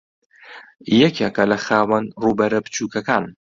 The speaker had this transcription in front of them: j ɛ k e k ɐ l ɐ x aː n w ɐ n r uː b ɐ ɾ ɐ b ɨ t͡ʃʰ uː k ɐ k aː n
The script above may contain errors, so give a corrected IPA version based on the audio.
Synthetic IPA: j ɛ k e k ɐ l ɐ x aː w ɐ n r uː b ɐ ɾ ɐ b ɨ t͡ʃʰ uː k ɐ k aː n